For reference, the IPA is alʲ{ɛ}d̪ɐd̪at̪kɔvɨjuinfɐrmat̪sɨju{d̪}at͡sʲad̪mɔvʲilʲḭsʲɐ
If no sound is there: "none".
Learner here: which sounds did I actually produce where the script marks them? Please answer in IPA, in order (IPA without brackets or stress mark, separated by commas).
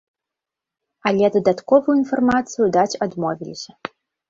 ɛ, d̪